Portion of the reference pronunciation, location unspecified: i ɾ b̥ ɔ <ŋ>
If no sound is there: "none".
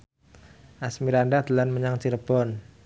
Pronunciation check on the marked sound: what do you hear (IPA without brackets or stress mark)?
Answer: n